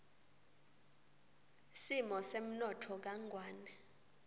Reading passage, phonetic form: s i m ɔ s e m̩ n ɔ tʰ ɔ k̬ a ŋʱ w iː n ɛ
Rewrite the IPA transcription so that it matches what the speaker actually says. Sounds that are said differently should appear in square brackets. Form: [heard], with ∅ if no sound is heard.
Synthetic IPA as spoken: s i m ɔ s e m̩ n ɔ tʰ ɔ k̬ a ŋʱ w [aː] n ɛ